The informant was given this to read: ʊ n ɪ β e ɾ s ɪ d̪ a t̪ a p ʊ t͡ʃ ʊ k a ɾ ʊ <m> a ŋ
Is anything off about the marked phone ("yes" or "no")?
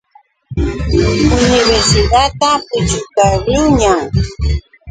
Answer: yes